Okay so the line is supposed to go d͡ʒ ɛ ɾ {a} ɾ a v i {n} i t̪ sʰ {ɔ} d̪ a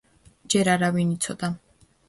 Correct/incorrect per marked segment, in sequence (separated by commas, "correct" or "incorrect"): correct, correct, correct